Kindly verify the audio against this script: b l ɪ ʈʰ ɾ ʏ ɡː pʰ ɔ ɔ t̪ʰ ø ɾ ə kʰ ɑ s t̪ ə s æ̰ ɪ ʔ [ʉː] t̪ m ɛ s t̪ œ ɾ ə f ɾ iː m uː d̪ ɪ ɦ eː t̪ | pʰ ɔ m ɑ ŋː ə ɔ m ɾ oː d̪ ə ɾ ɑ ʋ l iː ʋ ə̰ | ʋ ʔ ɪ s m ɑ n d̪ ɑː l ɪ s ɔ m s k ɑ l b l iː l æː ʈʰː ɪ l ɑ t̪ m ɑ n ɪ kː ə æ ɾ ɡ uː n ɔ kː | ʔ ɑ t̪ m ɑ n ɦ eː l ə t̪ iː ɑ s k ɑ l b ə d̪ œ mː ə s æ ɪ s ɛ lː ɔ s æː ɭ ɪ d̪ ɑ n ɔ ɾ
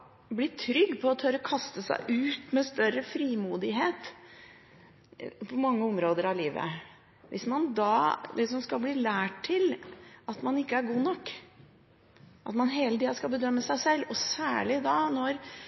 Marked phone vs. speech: correct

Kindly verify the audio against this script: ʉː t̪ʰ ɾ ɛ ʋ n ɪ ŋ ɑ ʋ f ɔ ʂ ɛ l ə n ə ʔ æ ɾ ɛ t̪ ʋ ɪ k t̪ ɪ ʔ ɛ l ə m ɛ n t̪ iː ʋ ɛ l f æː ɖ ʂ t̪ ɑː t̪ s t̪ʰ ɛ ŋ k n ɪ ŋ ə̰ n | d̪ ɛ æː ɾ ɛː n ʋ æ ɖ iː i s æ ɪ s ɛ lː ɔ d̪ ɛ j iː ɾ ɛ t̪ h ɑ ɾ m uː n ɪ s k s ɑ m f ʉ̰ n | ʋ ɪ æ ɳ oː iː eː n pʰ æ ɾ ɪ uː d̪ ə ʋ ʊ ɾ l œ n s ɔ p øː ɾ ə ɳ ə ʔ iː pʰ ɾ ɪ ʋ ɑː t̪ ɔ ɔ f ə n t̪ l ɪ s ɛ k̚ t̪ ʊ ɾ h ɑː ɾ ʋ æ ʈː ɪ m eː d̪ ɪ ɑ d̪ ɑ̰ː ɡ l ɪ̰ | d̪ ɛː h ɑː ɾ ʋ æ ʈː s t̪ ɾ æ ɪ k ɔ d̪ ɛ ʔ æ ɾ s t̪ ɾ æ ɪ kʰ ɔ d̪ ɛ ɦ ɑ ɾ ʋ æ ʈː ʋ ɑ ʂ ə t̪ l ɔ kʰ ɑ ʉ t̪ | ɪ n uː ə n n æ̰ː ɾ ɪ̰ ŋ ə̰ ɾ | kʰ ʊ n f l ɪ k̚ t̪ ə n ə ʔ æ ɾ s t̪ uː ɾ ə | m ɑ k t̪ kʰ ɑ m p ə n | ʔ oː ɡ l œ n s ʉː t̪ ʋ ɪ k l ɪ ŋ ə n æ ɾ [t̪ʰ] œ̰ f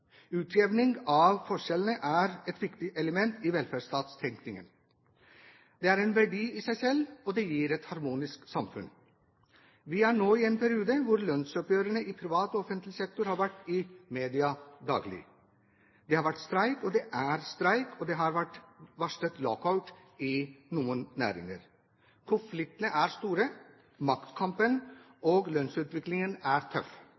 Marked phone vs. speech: correct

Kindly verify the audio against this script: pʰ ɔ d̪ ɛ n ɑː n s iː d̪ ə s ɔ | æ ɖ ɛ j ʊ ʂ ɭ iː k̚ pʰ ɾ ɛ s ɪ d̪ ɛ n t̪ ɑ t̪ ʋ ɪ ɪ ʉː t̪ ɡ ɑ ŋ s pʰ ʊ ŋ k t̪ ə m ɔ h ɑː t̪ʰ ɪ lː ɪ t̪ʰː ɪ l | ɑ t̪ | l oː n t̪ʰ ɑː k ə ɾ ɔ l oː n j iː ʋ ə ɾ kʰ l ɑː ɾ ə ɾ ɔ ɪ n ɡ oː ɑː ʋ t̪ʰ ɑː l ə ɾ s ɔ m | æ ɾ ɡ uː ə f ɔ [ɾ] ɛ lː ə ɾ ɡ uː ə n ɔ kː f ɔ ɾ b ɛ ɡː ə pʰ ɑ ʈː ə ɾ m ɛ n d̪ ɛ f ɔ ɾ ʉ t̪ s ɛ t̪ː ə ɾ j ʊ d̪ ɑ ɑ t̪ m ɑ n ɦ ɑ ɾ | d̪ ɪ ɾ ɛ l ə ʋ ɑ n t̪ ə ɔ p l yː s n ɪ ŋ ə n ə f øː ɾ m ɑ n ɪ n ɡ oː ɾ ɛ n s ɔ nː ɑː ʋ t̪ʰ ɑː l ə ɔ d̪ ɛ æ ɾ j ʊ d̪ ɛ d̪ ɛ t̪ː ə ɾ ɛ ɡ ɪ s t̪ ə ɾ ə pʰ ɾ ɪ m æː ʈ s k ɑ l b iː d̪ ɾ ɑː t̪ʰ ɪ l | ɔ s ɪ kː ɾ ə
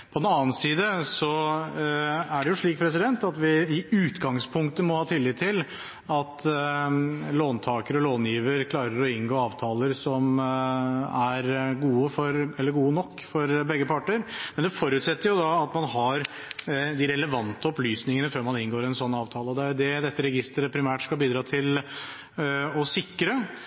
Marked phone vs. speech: correct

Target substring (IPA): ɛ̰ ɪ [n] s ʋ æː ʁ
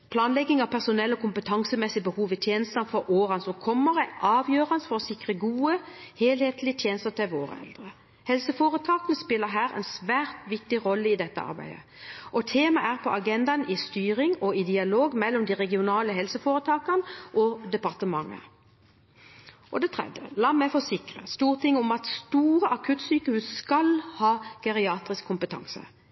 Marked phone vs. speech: correct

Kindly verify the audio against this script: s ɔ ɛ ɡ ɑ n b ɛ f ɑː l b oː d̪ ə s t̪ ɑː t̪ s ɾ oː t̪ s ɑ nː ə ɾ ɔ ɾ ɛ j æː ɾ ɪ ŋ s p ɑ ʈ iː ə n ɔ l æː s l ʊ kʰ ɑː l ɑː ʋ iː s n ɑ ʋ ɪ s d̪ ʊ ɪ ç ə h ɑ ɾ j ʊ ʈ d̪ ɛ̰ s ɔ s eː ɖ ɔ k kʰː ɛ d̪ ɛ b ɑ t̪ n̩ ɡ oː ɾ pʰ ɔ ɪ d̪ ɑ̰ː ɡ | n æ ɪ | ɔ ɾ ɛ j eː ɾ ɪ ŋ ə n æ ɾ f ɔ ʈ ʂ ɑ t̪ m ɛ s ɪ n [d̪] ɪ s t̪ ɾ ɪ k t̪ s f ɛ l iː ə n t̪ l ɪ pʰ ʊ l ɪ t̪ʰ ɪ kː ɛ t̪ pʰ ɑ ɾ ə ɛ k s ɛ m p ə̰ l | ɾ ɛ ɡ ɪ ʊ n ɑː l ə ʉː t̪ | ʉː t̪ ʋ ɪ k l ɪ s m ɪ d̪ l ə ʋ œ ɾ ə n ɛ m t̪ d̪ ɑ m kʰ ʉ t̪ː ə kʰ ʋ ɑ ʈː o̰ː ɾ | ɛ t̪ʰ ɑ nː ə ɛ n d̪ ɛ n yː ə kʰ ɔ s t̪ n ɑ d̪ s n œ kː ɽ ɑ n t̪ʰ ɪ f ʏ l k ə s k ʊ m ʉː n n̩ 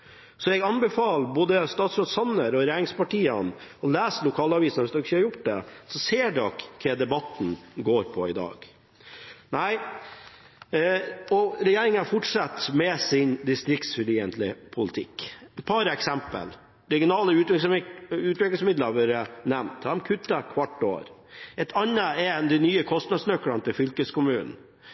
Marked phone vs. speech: correct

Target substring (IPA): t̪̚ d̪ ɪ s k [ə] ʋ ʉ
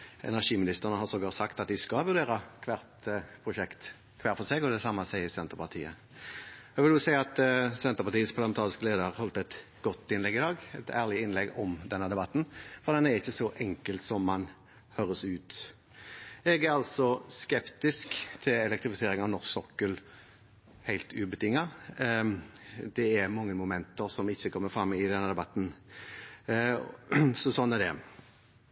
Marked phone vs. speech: incorrect: ɑ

